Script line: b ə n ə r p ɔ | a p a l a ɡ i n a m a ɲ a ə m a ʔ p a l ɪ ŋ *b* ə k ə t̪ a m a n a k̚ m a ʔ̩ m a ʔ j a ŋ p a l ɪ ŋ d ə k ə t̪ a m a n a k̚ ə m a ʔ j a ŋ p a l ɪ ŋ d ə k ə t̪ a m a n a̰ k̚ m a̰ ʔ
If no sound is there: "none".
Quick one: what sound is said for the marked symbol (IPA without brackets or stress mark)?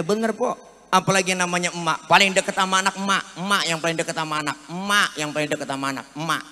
d